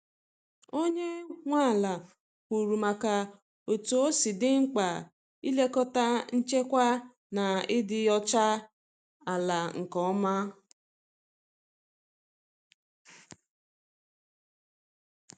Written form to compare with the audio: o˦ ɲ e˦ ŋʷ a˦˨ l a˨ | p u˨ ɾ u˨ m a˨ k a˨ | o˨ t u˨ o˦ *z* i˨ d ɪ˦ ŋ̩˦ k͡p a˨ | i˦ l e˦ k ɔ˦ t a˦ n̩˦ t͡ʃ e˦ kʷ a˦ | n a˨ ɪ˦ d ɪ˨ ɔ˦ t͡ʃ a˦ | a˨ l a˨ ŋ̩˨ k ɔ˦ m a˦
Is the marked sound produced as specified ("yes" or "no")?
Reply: no